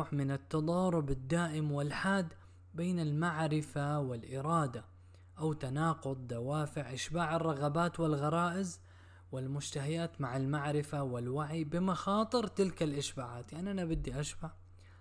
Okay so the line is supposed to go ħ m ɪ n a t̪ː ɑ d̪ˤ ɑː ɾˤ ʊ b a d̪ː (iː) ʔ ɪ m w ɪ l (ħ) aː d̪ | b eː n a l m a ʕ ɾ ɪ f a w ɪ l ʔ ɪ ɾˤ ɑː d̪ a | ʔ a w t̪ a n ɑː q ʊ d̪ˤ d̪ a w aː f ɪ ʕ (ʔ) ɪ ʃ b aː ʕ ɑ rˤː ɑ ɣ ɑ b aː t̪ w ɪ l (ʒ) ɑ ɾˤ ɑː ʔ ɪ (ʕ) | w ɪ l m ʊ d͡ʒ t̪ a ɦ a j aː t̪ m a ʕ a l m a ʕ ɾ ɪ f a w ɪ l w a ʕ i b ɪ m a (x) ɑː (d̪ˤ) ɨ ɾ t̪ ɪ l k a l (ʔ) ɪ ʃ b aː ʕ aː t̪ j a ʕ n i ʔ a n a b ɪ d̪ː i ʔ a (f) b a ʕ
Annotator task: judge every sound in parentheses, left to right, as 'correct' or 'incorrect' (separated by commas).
incorrect, correct, correct, incorrect, incorrect, correct, incorrect, correct, incorrect